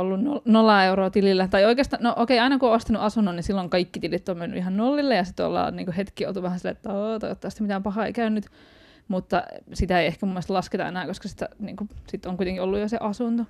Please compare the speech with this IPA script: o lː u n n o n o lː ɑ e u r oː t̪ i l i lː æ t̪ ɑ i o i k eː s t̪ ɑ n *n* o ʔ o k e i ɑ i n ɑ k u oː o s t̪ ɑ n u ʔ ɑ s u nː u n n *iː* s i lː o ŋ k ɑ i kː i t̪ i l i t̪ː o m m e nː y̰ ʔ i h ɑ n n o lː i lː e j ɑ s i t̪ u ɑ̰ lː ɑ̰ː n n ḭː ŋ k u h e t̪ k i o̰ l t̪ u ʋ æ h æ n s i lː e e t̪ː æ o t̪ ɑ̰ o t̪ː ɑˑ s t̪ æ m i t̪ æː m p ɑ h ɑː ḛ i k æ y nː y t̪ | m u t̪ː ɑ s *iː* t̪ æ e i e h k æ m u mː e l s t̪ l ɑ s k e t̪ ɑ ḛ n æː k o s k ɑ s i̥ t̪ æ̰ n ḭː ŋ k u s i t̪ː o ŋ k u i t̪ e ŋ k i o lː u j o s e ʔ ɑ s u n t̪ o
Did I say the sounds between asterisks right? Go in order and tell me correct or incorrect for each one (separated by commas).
correct, incorrect, incorrect